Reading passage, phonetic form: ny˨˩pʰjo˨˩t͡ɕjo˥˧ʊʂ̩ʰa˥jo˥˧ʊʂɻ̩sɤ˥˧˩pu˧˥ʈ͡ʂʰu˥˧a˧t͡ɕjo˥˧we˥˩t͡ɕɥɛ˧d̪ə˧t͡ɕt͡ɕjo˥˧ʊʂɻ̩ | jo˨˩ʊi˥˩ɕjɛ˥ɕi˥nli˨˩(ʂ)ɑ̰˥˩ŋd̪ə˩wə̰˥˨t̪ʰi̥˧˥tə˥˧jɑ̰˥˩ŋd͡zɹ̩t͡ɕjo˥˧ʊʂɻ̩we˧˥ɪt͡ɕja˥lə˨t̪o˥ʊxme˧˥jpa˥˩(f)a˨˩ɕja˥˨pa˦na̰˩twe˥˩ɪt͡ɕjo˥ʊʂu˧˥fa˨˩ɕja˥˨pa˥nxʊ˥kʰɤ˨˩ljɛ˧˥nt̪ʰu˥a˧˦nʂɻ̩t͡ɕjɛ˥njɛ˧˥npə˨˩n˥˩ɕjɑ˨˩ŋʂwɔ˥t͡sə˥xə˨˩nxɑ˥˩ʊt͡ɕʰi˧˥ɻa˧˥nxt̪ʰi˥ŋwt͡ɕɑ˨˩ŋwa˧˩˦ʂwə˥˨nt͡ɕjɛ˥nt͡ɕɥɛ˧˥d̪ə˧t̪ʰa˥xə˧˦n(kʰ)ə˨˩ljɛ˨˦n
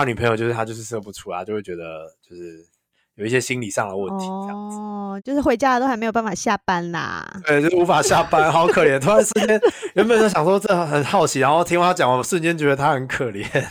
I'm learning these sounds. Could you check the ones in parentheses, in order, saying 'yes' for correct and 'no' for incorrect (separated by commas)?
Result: yes, yes, yes